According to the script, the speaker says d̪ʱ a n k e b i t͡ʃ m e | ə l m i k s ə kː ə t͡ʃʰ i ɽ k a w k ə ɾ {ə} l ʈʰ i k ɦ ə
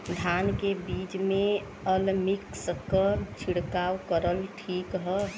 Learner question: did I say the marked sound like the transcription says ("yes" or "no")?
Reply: yes